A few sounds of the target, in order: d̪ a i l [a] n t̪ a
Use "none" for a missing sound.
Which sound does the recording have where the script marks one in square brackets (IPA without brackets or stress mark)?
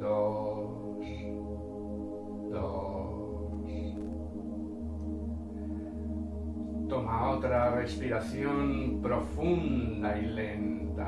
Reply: e